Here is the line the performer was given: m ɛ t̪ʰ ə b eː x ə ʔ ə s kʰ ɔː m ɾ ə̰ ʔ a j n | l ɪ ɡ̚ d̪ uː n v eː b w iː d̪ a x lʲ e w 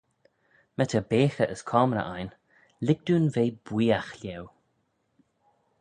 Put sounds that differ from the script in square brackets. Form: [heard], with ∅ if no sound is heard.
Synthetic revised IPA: m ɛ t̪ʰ ə b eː x ə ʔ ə s kʰ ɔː m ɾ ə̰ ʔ a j n | l ɪ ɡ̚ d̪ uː n v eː b w iː [∅] a x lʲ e w